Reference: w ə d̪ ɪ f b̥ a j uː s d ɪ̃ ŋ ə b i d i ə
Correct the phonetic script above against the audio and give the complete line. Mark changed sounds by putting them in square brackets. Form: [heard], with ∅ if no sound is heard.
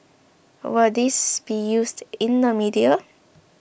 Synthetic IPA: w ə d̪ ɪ [s] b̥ [i] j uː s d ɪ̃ [n] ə [m] i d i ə